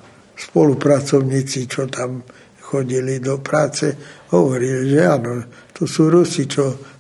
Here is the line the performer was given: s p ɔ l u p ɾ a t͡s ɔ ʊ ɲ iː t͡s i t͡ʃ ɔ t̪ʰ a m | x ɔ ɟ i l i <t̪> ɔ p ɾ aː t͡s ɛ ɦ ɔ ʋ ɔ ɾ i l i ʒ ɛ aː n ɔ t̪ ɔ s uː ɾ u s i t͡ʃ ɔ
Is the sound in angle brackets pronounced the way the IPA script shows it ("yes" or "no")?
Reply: no